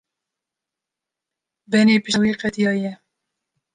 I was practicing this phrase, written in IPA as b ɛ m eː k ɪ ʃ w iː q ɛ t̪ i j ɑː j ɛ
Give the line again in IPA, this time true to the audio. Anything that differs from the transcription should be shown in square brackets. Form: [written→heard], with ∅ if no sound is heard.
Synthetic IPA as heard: b ɛ [m→n] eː [k→p] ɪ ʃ w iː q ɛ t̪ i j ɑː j ɛ